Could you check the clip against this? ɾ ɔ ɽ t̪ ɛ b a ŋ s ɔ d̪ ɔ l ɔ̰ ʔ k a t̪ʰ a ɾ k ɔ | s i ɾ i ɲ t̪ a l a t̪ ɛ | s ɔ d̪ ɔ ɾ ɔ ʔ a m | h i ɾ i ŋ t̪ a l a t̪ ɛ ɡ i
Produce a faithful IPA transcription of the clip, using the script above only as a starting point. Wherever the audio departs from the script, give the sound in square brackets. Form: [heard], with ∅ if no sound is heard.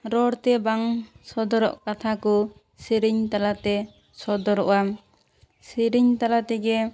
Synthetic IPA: ɾ ɔ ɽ t̪ ɛ b a ŋ s ɔ d̪ ɔ [ɾ] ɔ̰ ʔ k a t̪ʰ a [∅] k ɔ | s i ɾ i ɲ t̪ a l a t̪ ɛ | s ɔ d̪ ɔ ɾ ɔ ʔ a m | [s] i ɾ i [ɲ] t̪ a l a t̪ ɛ ɡ [ɛ]